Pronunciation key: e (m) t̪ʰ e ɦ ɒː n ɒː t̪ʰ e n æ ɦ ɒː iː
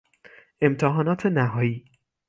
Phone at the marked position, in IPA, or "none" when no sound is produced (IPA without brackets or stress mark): m